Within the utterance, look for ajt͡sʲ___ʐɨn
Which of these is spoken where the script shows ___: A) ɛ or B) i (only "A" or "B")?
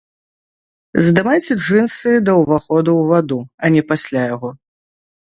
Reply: A